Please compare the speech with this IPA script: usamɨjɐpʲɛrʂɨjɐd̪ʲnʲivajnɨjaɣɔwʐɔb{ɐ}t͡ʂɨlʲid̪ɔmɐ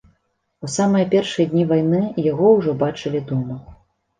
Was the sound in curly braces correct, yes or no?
no